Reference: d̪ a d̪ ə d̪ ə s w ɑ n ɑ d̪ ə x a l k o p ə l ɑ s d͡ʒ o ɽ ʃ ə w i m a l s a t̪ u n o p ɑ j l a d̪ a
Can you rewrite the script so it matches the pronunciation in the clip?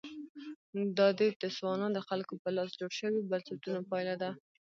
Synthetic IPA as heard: d̪ ɑ d̪ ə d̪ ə s w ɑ n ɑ d̪ ə x a l k o p ə l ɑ s d͡ʒ o ɽ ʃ ə w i b a l s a t̪ u n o p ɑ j l a d̪ a